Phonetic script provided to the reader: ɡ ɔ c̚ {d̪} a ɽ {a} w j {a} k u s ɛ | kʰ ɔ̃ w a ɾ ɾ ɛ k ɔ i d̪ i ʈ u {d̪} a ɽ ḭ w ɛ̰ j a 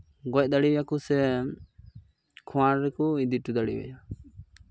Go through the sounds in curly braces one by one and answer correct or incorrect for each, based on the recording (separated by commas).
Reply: correct, incorrect, correct, correct